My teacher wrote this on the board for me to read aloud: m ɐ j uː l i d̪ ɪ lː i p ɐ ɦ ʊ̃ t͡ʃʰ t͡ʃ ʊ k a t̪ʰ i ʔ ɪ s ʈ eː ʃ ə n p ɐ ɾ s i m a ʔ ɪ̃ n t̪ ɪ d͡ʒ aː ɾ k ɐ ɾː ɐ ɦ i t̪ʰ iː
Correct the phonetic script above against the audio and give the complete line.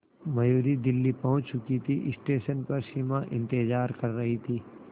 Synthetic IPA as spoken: m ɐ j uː ɾ i d̪ ɪ lː i p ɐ ɦ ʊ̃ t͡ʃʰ t͡ʃ ʊ k i t̪ʰ i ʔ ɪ s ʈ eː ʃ ə n p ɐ ɾ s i m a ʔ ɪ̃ n t̪ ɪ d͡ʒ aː ɾ k ɐ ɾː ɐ ɦ i t̪ʰ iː